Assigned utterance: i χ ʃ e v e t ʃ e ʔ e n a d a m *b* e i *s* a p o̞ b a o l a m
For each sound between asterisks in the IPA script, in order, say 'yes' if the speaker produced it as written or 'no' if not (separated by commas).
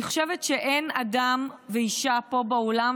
no, no